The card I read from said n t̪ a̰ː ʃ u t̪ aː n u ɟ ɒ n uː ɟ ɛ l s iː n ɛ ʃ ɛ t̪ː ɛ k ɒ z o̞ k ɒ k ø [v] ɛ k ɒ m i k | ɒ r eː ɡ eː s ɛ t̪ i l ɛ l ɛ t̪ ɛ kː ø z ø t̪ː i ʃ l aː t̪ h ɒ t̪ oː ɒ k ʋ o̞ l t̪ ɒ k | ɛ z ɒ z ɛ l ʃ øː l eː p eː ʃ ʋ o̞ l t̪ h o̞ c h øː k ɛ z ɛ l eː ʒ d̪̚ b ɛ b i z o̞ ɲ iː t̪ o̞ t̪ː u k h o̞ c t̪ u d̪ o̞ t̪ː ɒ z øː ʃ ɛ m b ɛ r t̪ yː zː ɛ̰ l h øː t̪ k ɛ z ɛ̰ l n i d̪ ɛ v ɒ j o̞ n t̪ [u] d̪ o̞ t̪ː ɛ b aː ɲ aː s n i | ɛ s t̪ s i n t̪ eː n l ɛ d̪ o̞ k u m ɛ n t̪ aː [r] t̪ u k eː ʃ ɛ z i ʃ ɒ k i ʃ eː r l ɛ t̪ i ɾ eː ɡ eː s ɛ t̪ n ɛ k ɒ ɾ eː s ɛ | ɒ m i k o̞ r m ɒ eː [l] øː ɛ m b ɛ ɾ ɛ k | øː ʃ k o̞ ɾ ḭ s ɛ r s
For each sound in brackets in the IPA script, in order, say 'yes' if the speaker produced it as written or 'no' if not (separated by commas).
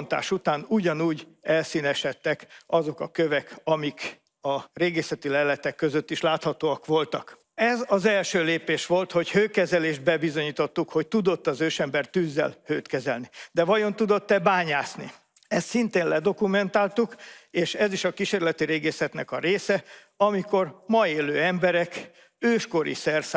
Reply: yes, yes, no, yes